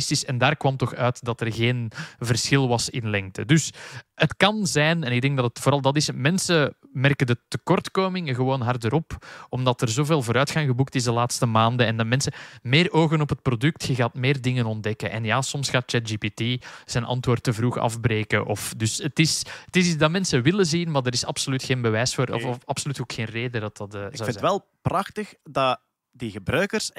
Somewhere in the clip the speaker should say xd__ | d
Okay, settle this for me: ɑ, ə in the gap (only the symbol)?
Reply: ɑ